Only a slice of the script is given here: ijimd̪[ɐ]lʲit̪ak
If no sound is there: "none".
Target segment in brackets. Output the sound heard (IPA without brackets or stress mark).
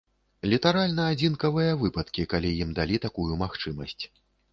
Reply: a